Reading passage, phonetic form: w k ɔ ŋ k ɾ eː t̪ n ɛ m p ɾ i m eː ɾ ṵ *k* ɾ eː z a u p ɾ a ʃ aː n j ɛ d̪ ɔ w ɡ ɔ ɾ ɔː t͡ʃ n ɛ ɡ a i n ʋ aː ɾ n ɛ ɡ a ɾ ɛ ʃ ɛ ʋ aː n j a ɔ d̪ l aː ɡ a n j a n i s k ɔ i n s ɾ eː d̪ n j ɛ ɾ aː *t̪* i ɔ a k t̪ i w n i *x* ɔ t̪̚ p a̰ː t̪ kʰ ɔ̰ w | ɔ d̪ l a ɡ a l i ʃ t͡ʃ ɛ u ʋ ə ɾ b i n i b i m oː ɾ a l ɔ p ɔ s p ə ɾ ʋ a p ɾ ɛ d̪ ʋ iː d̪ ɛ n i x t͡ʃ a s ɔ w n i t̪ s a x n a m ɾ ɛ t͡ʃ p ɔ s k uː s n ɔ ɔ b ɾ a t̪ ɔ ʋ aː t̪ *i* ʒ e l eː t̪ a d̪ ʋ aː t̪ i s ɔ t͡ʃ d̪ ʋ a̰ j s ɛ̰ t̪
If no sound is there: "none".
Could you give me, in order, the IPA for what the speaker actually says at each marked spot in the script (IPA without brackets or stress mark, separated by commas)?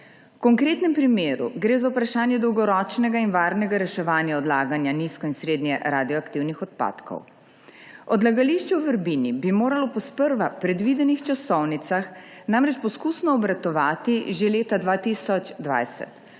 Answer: ɡ, d̪, x, i